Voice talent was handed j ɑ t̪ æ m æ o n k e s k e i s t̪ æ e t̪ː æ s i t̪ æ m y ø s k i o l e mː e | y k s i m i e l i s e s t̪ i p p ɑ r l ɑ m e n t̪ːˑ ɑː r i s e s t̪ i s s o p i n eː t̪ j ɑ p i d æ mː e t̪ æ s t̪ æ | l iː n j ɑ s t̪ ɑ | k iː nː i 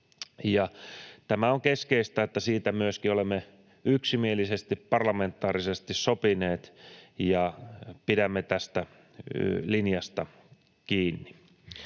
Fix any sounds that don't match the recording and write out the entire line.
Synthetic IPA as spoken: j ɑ t̪ æ m æ o ŋ k e s k e i s t̪ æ e t̪ː æ s iː t̪ æ m y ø s k i o l e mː e | y k s i m i e l i s e s t̪ i p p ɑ r l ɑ m e n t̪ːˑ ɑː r i s e s t̪ i s s o p i n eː t̪ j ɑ p i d æ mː e t̪ æ s t̪ æ | l i n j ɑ s t̪ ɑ | k iː nː i